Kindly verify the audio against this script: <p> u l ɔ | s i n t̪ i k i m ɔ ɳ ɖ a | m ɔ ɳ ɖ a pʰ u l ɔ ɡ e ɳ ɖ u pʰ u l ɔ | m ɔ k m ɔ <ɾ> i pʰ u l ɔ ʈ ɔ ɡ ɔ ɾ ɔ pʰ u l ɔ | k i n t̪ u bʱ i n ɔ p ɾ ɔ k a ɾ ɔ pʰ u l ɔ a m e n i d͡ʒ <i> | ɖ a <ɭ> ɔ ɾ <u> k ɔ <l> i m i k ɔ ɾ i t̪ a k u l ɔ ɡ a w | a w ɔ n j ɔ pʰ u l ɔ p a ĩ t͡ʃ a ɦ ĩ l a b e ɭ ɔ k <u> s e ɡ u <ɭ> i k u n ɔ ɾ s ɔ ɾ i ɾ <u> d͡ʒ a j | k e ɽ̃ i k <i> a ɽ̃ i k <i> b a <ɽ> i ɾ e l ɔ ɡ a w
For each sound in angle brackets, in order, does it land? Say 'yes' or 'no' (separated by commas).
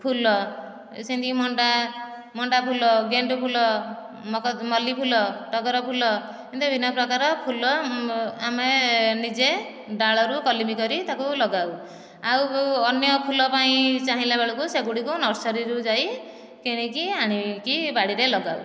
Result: no, no, no, yes, yes, yes, yes, no, yes, yes, yes, yes